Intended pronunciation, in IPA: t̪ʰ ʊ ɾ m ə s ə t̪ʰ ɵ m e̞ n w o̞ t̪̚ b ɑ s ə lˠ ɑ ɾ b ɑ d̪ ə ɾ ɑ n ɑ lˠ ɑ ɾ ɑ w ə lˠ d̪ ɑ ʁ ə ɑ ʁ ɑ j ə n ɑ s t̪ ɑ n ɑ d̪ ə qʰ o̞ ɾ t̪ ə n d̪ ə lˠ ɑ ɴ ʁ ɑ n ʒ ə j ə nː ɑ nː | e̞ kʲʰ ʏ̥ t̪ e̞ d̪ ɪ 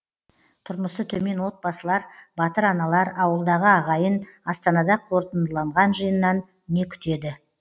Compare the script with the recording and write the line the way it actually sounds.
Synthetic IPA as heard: t̪ʰ ʊ ɾ m ə s ə t̪ʰ ɵ m e̞ n w o̞ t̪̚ b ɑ s ə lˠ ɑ ɾ b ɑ t̪ ə ɾ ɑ n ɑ lˠ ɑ ɾ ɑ w ə lˠ d̪ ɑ ʁ ə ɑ ʁ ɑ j ə n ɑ s t̪ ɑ n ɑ d̪ ɑ qʰ o̞ ɾ t̪ ə n d̪ ə lˠ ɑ ɴ ʁ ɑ n ʒ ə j ə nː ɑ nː | e̞ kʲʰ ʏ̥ t̪ e̞ d̪ ɪ